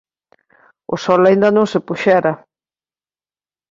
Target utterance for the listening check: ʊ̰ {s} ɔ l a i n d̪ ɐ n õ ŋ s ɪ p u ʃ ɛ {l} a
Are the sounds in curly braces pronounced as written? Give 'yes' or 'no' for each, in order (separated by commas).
yes, no